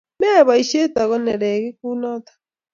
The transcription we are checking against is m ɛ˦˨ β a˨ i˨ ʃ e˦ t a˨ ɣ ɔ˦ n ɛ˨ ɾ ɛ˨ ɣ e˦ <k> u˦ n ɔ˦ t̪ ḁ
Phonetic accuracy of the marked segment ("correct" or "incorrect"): correct